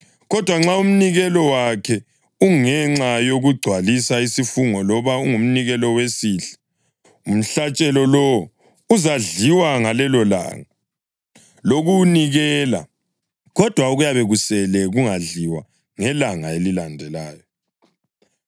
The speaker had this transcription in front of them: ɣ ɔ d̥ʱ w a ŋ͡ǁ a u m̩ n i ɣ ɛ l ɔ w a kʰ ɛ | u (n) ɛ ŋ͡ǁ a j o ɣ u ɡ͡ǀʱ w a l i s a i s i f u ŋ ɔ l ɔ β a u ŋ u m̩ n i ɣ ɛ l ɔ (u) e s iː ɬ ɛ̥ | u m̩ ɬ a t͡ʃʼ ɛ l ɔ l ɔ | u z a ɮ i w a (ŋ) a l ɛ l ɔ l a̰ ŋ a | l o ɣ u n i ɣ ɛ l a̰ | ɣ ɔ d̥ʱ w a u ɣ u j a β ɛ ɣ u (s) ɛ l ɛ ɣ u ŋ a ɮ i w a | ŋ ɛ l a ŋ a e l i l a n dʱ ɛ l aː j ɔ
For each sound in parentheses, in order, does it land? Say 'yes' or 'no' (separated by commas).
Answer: no, no, yes, yes